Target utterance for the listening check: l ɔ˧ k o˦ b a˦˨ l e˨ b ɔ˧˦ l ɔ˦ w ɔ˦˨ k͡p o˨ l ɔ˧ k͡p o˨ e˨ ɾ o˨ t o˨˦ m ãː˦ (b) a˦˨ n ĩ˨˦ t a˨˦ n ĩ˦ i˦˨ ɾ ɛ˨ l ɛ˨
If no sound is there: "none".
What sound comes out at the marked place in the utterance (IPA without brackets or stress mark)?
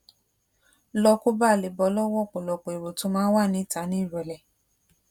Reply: w